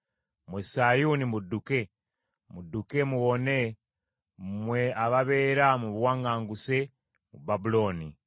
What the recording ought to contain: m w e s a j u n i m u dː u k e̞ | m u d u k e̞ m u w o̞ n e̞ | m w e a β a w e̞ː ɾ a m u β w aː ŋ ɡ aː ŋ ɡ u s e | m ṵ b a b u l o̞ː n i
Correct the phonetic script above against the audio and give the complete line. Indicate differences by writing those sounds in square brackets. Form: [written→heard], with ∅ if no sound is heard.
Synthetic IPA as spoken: m w e s a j u n i m u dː u k e̞ | m u d u k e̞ m u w o̞ n e̞ | m w e a β a [w→β] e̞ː ɾ a m u β w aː ŋ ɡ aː ŋ ɡ u s e | m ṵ b a b u l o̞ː n i

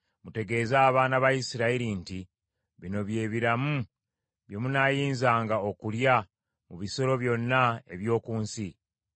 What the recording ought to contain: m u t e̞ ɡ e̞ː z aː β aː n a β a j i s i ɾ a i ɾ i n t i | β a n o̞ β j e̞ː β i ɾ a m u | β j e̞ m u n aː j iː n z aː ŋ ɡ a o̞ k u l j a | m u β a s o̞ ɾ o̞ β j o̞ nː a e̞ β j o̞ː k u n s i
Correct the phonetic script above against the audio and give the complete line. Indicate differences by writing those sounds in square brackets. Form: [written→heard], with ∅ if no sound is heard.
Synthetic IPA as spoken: m u t e̞ ɡ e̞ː z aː β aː n a β a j i s i ɾ a i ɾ i n t i | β [a→i] n o̞ β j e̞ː β i ɾ a m u | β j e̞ m u n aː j iː n z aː ŋ ɡ a o̞ k u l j a | m u β [a→i] s o̞ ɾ o̞ β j o̞ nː a e̞ β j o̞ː k [u→uː] n s i

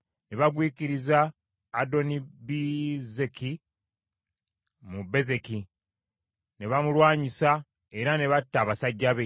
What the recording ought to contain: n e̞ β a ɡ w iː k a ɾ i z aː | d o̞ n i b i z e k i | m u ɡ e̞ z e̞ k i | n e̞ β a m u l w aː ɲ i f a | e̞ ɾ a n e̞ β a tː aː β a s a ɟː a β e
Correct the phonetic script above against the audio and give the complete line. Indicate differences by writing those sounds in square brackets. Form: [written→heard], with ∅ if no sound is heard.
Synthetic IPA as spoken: n e̞ β a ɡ w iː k [a→i] ɾ i z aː | d o̞ n i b i z e k i | m u [ɡ→b] e̞ z e̞ k i | n e̞ β a m u l w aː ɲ i [f→s] a | e̞ ɾ a n e̞ β a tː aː β a s a ɟː a β e

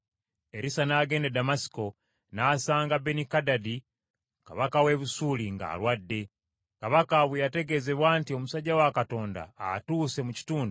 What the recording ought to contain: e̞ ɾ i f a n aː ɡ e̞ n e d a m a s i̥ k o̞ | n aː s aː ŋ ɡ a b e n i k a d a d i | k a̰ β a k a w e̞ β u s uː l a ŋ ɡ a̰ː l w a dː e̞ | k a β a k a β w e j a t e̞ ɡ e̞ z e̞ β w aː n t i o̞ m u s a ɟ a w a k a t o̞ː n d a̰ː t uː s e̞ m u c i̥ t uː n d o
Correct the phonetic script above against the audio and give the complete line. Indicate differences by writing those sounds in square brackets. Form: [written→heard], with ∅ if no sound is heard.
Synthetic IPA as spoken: e̞ ɾ i [f→s] a n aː ɡ e̞ n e d a m a s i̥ k o̞ | n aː s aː ŋ ɡ a b e n i k a d a d i | k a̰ β a k a w e̞ β u s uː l [a→i] ŋ ɡ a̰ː l w a dː e̞ | k a β a k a β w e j a t e̞ ɡ e̞ z e̞ β w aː n t i o̞ m u s a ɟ a w a k a t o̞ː n d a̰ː t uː s e̞ m u c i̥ t uː n d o

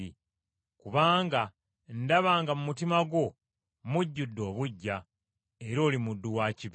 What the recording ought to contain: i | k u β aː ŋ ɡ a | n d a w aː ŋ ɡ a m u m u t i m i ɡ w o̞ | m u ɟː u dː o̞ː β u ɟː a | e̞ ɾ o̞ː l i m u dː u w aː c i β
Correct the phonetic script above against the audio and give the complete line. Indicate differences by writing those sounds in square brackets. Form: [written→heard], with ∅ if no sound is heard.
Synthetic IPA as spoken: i | k u β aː ŋ ɡ a | n d a [w→β] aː ŋ ɡ a m u m u t i m [i→a] ɡ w o̞ | m u ɟː u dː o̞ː β u ɟː a | e̞ ɾ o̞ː l i m u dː u w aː c i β

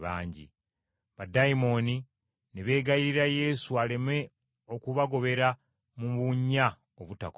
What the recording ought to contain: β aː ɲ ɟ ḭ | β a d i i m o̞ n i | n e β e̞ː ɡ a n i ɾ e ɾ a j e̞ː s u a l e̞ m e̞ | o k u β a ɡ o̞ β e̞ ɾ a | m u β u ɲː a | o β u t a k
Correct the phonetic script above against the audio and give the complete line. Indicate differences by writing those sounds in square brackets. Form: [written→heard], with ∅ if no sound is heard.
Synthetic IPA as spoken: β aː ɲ ɟ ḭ | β a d [i→a] i m o̞ n i | n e β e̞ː ɡ a [n→∅] i ɾ [e→i] ɾ a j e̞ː s u a l e̞ m e̞ | o k u β a ɡ o̞ β e̞ ɾ a | m u β u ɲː a | o β u t a k

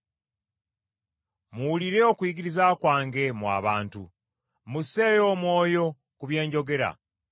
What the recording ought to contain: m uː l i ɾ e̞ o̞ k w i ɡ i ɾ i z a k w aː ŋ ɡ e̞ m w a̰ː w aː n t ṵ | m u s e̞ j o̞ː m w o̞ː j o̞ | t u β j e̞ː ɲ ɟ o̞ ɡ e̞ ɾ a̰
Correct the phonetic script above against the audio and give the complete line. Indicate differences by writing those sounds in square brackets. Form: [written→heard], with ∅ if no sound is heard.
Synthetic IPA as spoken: m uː l i ɾ e̞ o̞ k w i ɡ i ɾ i z a k w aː ŋ ɡ e̞ m w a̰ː [w→β] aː n t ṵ | m u s e̞ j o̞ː m w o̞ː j o̞ | [t→k] u β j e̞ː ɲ ɟ o̞ ɡ e̞ ɾ a̰

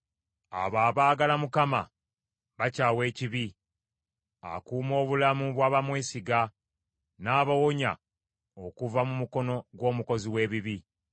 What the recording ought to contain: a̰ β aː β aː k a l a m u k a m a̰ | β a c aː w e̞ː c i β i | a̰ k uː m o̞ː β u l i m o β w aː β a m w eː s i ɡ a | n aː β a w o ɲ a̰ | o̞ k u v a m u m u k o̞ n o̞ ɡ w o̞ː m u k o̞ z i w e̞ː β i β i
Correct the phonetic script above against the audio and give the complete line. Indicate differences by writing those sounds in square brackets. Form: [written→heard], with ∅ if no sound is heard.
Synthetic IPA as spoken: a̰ β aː β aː [k→ɡ] a l a m u k a m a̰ | β a c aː w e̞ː c i β i | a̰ k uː m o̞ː β u l [i→a] m [o→u] β w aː β a m w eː s i ɡ a | n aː β a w o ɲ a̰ | o̞ k u v a m u m u k o̞ n o̞ ɡ w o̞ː m u k o̞ z i w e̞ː β i β i

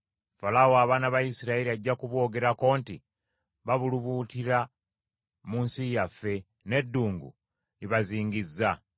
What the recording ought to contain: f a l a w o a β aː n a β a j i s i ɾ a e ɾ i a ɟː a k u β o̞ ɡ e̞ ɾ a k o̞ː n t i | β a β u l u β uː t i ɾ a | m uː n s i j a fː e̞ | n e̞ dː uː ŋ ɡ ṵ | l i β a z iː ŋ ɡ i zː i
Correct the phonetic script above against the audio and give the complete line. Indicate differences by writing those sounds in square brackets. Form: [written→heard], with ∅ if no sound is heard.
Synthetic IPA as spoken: f a l a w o a β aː n a β a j i s i ɾ a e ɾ i a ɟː a k u β o̞ ɡ e̞ ɾ a k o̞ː n t i | β a β u l u β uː t i ɾ a | m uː n s i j a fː e̞ | n e̞ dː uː ŋ ɡ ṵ | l i β a z iː ŋ ɡ i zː [i→a]

